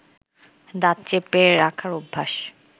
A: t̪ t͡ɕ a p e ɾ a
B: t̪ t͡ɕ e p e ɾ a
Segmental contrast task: B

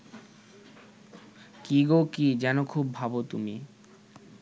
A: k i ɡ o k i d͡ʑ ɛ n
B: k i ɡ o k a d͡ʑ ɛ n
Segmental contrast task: A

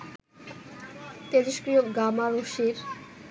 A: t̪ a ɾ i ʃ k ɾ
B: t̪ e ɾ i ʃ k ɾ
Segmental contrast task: B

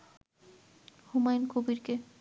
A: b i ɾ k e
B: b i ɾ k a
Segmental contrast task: A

